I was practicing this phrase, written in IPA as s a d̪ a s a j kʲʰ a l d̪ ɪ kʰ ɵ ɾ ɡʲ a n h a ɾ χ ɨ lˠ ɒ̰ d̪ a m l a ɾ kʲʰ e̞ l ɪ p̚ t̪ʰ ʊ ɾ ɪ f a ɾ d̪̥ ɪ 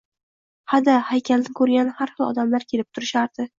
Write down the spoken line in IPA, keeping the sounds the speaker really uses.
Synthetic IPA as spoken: h a d̪ a h a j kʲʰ a l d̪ ɪ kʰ ɵ ɾ ɡʲ a n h a ɾ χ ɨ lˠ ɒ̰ d̪ a m l a ɾ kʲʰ e̞ l ɪ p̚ t̪ʰ ʊ ɾ ɪ ʃ a ɾ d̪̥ ɪ